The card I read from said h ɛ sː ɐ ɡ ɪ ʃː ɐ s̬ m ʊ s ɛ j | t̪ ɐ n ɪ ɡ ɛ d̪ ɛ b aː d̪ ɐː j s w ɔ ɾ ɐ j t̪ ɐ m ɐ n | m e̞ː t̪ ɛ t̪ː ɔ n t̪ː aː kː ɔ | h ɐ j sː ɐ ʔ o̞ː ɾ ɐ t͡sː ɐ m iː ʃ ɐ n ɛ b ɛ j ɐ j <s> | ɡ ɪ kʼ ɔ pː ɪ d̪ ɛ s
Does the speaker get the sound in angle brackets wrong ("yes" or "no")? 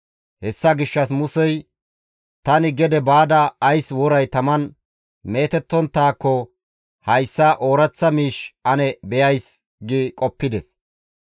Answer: no